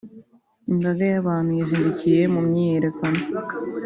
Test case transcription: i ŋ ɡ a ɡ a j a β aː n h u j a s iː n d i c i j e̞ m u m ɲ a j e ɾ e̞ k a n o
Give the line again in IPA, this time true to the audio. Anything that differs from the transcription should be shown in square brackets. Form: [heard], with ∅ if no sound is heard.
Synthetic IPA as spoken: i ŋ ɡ a ɡ a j a β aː n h u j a [z] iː n d i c i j e̞ m u m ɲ [i] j e ɾ e̞ k a n o